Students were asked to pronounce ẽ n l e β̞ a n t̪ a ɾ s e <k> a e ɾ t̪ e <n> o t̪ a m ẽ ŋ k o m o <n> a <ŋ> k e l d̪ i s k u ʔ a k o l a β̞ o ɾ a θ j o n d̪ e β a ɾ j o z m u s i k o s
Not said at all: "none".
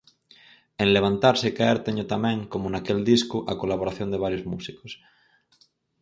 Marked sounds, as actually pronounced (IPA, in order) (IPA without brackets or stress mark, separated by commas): k, ɲ, n, none